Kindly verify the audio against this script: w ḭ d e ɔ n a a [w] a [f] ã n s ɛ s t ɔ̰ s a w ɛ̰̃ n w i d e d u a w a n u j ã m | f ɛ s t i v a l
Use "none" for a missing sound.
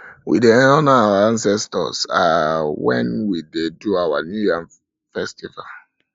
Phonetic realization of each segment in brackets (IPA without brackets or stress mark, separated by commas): w, none